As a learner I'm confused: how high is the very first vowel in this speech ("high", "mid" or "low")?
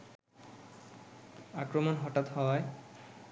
low